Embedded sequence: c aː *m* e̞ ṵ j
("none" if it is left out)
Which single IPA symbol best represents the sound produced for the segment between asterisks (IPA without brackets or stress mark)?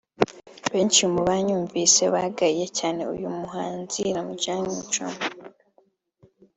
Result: n